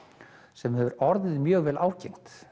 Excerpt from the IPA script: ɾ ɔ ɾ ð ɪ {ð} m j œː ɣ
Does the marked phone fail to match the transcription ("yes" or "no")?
no